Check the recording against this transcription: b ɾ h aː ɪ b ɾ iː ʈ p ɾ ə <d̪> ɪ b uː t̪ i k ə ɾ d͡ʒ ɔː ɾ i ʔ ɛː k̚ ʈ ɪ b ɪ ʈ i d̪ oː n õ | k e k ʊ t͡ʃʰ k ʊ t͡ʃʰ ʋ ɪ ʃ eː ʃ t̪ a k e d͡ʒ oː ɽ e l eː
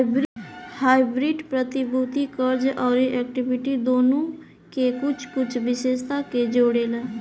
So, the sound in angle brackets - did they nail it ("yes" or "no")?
no